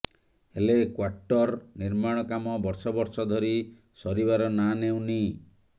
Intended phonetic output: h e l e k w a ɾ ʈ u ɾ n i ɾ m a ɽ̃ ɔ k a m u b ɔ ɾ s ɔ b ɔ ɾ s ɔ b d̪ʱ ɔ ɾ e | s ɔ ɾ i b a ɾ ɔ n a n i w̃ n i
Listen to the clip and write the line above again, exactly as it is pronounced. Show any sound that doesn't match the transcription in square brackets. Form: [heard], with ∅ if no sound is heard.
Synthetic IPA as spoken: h e l e k w a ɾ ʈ [ɔ] ɾ n i ɾ m a ɽ̃ ɔ k a m [ɔ] b ɔ ɾ s ɔ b ɔ ɾ s ɔ [∅] d̪ʱ ɔ ɾ [i] | s ɔ ɾ i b a ɾ ɔ n a n [e] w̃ n i